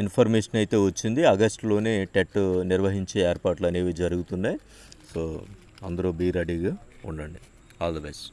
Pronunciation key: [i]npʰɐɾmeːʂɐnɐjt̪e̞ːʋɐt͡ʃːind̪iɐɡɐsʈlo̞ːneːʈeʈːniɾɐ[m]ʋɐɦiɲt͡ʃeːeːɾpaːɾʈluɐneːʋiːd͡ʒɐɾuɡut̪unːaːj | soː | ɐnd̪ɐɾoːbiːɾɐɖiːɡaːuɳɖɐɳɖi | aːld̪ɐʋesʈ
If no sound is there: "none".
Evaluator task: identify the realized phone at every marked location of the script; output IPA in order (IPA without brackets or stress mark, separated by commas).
i, none